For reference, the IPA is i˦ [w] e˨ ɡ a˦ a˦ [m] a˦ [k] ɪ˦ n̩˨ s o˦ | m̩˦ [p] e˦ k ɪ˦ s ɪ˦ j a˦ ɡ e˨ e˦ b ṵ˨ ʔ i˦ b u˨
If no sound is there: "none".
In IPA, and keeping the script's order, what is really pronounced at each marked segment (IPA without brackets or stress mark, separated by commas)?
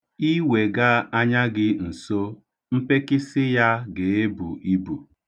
w, ɲ, ɡ, p